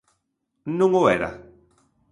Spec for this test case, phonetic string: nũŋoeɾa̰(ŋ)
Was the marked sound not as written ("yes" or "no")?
yes